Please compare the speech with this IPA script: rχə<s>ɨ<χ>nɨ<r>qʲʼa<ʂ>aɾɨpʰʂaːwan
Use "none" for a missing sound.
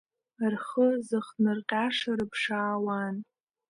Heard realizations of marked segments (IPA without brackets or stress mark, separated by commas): z, χ, r, ʂ